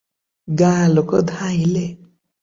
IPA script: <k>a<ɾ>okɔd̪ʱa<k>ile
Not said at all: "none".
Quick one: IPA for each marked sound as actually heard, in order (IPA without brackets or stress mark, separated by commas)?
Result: ɡ, l, none